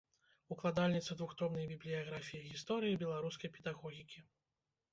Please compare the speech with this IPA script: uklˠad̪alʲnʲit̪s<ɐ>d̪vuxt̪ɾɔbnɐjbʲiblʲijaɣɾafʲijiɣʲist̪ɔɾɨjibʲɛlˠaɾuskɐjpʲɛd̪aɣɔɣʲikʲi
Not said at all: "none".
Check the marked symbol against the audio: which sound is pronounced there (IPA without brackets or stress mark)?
ɐ